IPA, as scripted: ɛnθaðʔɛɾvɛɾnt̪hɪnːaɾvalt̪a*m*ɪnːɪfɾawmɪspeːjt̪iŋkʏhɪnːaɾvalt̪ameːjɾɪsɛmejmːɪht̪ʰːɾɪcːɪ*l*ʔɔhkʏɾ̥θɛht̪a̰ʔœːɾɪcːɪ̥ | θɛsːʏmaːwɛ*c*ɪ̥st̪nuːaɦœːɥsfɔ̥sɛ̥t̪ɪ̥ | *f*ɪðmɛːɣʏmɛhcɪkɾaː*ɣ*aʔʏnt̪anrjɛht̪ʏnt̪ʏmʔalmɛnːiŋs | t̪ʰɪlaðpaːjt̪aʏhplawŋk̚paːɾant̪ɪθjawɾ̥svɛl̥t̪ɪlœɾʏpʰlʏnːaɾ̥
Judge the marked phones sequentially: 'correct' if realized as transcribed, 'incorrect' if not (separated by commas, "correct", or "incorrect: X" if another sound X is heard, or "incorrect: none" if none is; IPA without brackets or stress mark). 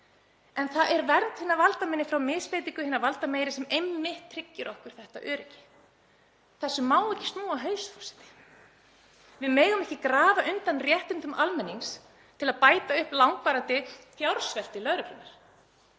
correct, incorrect: ɾ, correct, incorrect: v, incorrect: v